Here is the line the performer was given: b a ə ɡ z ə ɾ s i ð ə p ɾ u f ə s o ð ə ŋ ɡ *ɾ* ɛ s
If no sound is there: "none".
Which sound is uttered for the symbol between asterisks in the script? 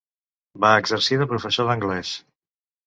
l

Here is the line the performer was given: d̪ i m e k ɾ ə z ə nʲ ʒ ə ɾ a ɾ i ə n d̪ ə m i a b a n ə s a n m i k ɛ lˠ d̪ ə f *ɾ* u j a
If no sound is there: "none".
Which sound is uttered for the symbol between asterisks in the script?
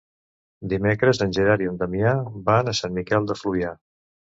l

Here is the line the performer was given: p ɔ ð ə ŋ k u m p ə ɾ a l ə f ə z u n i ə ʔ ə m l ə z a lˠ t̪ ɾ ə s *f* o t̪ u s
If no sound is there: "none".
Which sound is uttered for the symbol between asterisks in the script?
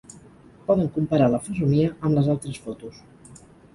f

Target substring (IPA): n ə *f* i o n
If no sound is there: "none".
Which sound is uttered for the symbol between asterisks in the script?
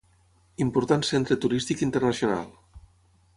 s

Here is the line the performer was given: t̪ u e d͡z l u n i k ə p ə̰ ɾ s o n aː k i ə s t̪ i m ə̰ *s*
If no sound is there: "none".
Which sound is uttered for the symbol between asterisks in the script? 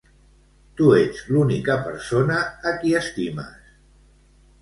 s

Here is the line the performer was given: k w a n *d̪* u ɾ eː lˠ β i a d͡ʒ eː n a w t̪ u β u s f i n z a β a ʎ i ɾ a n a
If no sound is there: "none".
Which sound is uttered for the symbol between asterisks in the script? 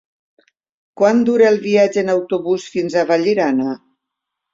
d̪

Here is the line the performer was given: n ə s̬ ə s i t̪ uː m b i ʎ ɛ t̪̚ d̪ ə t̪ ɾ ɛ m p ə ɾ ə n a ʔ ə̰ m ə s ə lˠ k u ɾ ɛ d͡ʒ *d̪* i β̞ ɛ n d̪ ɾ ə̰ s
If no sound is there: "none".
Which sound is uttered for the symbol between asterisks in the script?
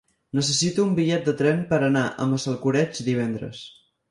d̪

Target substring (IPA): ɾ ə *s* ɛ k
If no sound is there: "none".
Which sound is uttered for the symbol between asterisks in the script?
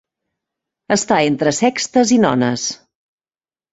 s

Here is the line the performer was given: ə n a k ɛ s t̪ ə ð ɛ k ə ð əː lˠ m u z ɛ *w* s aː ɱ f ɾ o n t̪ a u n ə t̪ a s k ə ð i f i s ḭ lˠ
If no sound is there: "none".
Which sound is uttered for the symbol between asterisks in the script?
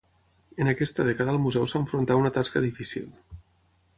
w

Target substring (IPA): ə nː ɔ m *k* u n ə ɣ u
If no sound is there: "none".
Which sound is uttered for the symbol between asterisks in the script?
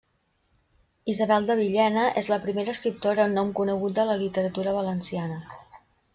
k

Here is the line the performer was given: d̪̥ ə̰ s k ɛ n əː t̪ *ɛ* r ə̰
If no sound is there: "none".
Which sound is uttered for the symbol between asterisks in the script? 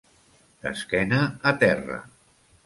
ɛ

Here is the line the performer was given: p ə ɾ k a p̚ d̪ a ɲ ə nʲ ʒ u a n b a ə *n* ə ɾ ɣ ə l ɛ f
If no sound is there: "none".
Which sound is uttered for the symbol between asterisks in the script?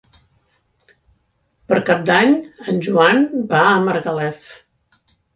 m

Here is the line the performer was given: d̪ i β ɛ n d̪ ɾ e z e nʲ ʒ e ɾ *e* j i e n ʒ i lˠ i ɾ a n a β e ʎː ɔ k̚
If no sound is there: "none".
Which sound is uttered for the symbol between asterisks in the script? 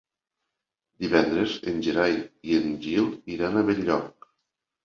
a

